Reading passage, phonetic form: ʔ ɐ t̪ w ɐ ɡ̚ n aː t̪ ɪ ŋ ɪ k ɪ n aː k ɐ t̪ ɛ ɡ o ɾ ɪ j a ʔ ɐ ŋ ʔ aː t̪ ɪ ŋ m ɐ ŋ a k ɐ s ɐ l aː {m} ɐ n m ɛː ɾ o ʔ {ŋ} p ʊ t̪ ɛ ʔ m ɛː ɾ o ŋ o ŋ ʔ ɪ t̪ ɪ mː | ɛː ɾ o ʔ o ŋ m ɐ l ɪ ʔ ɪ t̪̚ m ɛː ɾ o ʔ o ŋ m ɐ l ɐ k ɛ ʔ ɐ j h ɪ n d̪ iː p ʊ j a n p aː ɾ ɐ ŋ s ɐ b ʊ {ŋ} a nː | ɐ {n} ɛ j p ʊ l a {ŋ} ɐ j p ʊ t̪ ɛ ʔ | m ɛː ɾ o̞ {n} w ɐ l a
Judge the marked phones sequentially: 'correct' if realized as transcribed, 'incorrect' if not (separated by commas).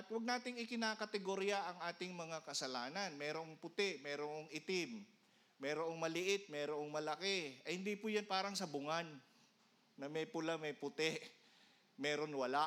incorrect, correct, correct, incorrect, incorrect, correct